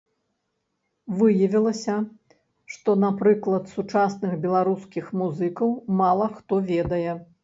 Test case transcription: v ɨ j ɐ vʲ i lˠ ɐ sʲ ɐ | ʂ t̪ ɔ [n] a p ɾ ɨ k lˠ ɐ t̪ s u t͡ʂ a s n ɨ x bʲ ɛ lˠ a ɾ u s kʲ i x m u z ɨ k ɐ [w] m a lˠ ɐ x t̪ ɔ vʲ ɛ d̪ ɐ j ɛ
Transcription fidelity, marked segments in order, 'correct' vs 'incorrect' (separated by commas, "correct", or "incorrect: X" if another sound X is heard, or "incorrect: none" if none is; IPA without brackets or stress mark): correct, correct